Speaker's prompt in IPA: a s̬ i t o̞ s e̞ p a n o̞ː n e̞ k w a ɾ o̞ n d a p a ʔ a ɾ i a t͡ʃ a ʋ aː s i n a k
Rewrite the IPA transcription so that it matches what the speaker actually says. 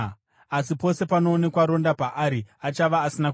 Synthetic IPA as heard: a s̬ i p o̞ s e̞ p a n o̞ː n e̞ k w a ɾ o̞ n d a p a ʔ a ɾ i a t͡ʃ a ʋ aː s i n a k

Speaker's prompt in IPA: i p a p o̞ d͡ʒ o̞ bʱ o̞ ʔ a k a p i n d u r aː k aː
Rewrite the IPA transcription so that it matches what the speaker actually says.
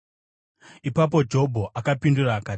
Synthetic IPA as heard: i p a p o̞ d͡ʒ o̞ bʱ o̞ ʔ a k a p i n d u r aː k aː

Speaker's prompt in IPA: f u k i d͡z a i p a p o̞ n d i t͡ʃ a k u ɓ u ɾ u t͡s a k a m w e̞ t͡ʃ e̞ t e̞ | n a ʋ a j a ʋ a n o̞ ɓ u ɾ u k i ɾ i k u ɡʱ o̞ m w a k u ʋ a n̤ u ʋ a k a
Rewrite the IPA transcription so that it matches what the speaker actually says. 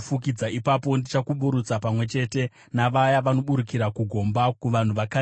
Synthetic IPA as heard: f u k i d͡z a i p a p o̞ n d i t͡ʃ a k u ɓ u ɾ u t͡s a p a m w e̞ t͡ʃ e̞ t e̞ | n a ʋ a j a ʋ a n o̞ ɓ u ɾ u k i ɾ a k u ɡʱ o̞ m b a k u ʋ a n̤ u ʋ a k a

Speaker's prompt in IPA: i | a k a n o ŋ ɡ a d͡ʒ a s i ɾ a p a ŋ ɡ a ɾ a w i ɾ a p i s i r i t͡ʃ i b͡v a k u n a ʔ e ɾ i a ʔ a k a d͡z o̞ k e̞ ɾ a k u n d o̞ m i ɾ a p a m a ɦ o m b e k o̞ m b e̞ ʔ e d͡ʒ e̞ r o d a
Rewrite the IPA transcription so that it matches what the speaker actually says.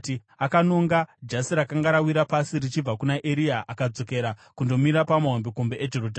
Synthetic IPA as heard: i | a k a n o ŋ ɡ a d͡ʒ a s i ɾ a k a ŋ ɡ a ɾ a w i ɾ a p a s i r i t͡ʃ i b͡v a k u n a ʔ e ɾ i a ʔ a k a d͡z o̞ k e̞ ɾ a k u n d o̞ m i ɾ a p a m a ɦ o m b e k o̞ m b e̞ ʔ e d͡ʒ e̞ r o d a

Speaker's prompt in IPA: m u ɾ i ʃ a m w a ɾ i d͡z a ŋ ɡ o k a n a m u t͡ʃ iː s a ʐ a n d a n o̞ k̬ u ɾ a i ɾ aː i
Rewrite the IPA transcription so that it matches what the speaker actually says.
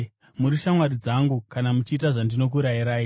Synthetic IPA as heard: m u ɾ i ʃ a m w a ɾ i d͡z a ŋ ɡ u k a n a m u t͡ʃ iː t a ʐ a n d i n o̞ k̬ u ɾ a i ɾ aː i

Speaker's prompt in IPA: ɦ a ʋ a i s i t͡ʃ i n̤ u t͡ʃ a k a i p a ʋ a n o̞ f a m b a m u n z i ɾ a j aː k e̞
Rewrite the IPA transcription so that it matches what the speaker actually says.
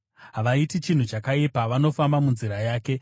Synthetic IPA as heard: ɦ a ʋ a i t i t͡ʃ i n̤ u t͡ʃ a k a i p a ʋ a n o̞ f a m b a m u n z i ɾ a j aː k e̞

